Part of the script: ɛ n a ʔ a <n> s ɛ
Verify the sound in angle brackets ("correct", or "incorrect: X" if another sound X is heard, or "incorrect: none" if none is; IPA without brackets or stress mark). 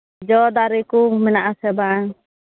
incorrect: none